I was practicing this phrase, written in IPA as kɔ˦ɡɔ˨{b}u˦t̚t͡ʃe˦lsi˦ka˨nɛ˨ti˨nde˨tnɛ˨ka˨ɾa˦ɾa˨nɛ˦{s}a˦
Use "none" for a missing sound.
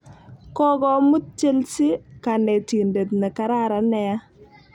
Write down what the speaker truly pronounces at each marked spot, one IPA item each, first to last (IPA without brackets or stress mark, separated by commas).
m, none